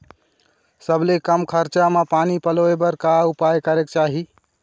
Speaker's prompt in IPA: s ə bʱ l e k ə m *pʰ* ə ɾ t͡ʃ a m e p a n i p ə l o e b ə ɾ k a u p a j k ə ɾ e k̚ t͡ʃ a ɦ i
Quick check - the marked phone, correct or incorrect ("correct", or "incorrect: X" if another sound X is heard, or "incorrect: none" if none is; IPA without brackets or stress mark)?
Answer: incorrect: kʰ